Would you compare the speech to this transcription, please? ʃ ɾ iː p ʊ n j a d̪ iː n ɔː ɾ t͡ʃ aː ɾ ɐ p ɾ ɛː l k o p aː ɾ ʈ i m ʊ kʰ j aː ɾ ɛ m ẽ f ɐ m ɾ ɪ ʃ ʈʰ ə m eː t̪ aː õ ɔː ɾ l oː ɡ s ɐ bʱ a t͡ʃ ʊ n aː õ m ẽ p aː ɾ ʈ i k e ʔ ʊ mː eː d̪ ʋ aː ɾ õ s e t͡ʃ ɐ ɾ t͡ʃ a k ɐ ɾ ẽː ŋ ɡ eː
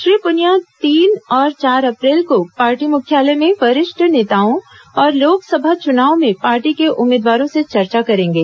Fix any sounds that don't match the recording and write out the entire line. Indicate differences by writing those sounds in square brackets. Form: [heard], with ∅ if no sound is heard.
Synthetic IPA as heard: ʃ ɾ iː p ʊ n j a [t̪] iː n ɔː ɾ t͡ʃ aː ɾ ɐ p ɾ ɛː l k o p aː ɾ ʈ i m ʊ kʰ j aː [l] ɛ m ẽ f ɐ [∅] ɾ ɪ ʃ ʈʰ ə [n] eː t̪ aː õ ɔː ɾ l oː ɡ s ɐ bʱ a t͡ʃ ʊ n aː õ m ẽ p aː ɾ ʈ i k e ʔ ʊ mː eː d̪ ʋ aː ɾ õ s e t͡ʃ ɐ ɾ t͡ʃ a k ɐ ɾ ẽː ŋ ɡ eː